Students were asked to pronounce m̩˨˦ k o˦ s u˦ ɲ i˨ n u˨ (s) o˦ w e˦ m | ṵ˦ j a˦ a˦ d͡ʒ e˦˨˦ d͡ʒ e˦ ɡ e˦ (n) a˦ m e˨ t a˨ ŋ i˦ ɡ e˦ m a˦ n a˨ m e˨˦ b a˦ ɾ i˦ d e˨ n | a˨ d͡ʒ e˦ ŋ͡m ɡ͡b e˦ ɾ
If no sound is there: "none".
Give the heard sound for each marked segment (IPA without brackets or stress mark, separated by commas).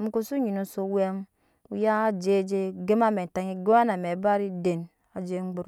s, m